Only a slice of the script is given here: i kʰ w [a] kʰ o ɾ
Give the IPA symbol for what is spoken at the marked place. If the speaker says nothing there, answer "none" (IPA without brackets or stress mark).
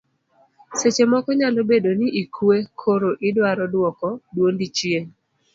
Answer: e